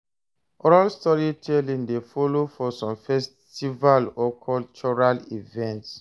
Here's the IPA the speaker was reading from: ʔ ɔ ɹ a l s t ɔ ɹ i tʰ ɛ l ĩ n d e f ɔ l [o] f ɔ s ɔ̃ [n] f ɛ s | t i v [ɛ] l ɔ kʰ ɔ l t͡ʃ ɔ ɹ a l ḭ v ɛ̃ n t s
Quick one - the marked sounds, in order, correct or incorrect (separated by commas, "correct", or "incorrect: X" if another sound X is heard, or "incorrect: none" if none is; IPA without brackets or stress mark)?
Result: correct, incorrect: m, incorrect: a